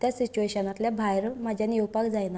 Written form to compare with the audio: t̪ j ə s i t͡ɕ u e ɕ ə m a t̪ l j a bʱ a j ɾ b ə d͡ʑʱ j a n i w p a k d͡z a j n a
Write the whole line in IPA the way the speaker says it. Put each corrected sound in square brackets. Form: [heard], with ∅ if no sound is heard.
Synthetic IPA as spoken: t̪ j [a] s i t͡ɕ u e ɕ ə [n] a t̪ l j a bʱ a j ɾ [m] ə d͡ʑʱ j a n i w p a k d͡z a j n a